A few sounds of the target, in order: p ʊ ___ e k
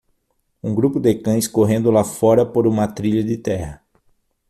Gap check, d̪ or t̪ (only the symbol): d̪